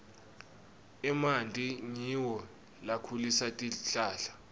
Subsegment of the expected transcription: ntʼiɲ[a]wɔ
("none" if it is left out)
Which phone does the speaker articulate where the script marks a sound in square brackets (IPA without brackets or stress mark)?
i